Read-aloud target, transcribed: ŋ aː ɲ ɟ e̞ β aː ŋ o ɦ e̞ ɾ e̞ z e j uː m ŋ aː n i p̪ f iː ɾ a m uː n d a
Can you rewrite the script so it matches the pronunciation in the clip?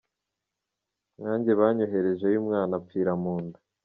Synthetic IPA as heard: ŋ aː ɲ ɟ e̞ β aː ɲ o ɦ e̞ ɾ e̞ ʒ e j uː m ŋ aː n a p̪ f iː ɾ a m uː n d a